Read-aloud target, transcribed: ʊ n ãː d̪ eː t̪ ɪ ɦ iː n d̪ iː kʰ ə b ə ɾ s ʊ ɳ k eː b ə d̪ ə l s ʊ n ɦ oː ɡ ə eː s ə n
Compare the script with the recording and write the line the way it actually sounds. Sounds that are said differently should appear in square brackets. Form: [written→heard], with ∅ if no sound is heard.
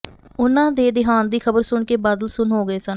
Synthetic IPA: ʊ n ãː d̪ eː [t̪→d̪] ɪ ɦ [iː→aː] n d̪ iː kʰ ə b ə ɾ s ʊ ɳ k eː b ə d̪ ə l s ʊ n ɦ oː ɡ ə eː s ə n